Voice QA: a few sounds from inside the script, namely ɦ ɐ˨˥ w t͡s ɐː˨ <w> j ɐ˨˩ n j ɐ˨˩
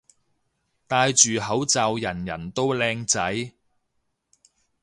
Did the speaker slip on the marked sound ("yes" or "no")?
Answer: no